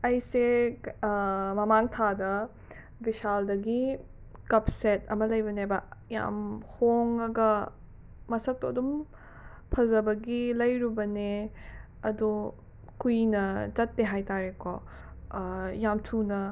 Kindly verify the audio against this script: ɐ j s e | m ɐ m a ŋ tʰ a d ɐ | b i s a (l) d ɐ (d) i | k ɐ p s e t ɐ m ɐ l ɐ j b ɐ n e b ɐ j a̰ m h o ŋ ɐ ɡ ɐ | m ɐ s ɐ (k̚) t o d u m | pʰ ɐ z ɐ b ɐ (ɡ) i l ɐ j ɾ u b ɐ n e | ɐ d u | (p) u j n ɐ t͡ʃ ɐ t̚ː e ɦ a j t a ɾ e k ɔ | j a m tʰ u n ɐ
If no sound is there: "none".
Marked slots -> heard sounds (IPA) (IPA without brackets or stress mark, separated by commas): l, ɡ, k̚, ɡ, k